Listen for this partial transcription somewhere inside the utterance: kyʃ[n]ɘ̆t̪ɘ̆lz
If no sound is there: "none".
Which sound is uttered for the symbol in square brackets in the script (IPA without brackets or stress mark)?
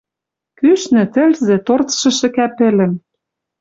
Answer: n